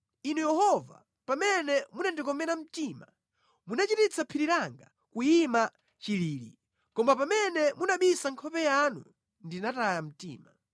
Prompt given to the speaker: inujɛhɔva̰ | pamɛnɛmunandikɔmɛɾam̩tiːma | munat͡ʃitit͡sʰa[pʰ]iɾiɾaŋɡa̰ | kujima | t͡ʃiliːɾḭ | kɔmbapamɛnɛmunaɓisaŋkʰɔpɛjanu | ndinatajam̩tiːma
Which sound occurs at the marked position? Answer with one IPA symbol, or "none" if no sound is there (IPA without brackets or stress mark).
pʰ